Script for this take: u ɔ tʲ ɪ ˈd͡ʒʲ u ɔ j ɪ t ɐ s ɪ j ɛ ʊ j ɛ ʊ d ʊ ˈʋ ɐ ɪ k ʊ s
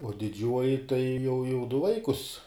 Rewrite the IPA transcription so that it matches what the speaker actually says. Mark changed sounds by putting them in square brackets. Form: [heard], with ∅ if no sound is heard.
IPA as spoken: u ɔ [dʲ] ɪ ˈd͡ʒʲ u ɔ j ɪ t ɐ [∅] ɪ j ɛ ʊ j ɛ ʊ d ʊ ˈʋ ɐ ɪ k ʊ s